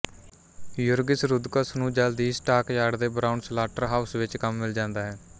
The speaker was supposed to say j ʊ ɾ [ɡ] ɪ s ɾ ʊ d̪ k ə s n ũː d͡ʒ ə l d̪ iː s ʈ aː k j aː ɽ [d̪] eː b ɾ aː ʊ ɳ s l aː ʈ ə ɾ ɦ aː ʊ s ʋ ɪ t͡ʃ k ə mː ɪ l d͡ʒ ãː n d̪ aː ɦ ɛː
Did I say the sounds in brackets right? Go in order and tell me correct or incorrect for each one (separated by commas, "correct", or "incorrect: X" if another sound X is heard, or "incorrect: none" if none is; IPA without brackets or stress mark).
correct, correct